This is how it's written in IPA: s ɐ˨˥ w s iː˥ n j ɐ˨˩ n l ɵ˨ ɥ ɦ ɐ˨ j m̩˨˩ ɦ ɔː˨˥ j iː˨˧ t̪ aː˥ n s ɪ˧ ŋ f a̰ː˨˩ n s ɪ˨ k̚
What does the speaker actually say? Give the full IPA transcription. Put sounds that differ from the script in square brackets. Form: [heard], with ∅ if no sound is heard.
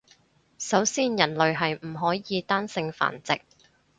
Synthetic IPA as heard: s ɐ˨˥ w s iː˥ n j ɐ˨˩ n l ɵ˨ ɥ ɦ ɐ˨ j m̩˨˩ ɦ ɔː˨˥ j iː˨˧ t̪ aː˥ n s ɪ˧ ŋ f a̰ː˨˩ n [t͡s] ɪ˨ k̚